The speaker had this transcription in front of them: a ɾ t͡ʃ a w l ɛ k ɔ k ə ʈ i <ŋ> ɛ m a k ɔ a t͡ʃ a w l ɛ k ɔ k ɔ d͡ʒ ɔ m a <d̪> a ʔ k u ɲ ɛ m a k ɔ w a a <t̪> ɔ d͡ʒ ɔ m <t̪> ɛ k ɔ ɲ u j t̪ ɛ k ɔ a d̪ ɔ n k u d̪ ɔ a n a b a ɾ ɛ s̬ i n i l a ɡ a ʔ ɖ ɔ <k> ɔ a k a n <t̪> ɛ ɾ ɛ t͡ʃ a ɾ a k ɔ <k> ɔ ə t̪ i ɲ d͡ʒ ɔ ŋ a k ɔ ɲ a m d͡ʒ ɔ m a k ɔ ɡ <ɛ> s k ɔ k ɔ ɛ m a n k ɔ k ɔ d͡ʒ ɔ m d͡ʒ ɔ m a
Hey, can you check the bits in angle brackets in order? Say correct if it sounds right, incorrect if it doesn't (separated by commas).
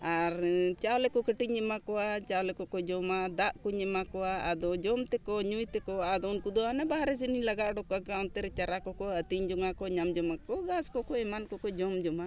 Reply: incorrect, correct, incorrect, correct, correct, correct, correct, incorrect